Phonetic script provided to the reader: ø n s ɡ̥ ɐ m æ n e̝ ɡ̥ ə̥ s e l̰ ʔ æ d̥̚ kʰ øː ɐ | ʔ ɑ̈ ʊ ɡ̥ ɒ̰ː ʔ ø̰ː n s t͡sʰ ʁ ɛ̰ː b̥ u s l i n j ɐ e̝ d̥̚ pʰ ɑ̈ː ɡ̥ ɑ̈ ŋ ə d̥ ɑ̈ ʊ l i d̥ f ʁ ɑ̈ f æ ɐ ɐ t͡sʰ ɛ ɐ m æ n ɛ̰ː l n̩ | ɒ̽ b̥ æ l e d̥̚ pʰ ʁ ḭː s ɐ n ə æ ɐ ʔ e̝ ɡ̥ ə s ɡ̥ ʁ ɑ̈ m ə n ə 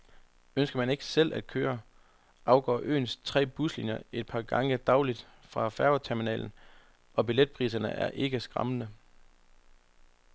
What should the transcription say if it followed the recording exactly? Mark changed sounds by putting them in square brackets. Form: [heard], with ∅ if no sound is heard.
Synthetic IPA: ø n s ɡ̥ ɐ m æ n e̝ ɡ̥ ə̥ s e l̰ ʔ æ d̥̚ kʰ øː ɐ | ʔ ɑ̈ ʊ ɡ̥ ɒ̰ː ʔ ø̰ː n s t͡sʰ ʁ ɛ̰ː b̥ u s l i n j ɐ e̝ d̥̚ pʰ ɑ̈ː ɡ̥ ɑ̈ ŋ ə d̥ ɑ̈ ʊ l i d̥ f ʁ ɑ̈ f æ ɐ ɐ t͡sʰ [æ] ɐ m [i] n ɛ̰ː l n̩ | ɒ̽ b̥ [i] l e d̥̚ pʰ ʁ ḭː s ɐ n ə æ ɐ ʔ e̝ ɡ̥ ə s ɡ̥ ʁ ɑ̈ m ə n ə